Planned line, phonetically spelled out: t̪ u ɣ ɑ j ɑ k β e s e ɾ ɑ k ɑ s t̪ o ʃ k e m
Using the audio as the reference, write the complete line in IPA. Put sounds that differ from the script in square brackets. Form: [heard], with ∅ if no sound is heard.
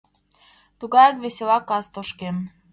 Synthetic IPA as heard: t̪ u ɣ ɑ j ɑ k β e s e [l] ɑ k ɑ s t̪ o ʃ k e m

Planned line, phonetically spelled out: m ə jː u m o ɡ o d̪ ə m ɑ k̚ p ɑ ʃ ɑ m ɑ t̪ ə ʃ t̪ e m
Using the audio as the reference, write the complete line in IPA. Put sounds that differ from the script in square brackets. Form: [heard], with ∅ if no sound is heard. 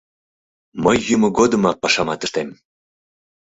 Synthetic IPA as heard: m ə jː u m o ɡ o d̪ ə m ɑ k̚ p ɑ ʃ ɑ m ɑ t̪ ə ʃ t̪ e m

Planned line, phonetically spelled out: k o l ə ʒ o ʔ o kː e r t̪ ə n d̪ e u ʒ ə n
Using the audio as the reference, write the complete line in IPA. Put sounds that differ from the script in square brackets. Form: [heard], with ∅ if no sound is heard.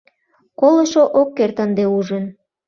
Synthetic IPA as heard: k o l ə [ʃ] o ʔ o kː e r t̪ ə n d̪ e u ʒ ə n

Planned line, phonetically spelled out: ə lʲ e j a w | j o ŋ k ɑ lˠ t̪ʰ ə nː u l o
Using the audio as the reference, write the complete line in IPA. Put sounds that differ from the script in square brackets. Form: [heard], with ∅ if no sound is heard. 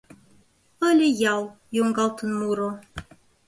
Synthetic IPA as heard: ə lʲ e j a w | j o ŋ [ɡ] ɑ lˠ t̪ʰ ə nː u [ɾ] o

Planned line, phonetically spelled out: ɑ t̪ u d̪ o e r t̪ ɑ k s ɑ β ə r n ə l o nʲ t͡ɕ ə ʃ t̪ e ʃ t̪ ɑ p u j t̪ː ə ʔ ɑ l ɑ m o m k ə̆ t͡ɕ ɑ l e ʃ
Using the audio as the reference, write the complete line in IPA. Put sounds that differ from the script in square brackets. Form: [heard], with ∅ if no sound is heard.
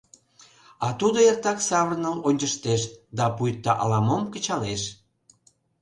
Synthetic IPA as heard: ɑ t̪ u d̪ o e r t̪ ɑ k s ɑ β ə r n ə l o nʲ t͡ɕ ə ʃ t̪ e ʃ [d̪] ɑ p u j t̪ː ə ʔ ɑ l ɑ m o m k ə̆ t͡ɕ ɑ l e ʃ

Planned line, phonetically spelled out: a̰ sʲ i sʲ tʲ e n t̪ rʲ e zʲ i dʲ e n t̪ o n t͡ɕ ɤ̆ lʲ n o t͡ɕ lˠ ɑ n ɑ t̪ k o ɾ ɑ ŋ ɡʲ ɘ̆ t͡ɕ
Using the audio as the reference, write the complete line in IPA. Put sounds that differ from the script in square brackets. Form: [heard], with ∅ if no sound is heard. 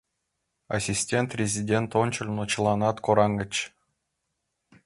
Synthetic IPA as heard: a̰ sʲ i sʲ tʲ e n t̪ rʲ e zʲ i dʲ e n t̪ o n t͡ɕ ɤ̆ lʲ n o t͡ɕ lˠ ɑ n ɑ t̪ k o ɾ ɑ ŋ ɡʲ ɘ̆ t͡ɕ

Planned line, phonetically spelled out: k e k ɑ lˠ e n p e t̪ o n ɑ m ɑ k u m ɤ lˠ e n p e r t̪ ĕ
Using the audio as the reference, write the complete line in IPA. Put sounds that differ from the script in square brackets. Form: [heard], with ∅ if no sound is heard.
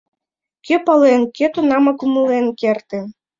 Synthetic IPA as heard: k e [p] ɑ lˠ e n [k] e t̪ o n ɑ m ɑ k u m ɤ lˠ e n [k] e r t̪ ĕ

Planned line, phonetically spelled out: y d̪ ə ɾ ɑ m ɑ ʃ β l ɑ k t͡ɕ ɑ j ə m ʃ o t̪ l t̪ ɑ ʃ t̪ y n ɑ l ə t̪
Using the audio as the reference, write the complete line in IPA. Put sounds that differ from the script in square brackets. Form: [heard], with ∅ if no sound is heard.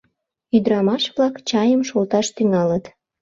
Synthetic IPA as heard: y d̪ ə ɾ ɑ m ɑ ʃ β l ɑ k t͡ɕ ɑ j ə m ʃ o [∅] l t̪ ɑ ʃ t̪ y [ŋ] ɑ l ə t̪

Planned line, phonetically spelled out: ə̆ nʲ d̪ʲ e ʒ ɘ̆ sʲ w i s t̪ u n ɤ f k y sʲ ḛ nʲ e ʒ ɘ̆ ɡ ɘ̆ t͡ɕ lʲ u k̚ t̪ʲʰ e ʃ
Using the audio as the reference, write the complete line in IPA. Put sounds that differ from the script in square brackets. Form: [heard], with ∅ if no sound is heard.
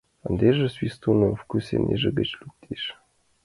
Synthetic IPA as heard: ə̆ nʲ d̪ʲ e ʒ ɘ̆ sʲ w i s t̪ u n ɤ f k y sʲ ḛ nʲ e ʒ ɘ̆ ɡ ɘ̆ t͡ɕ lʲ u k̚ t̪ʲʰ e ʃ

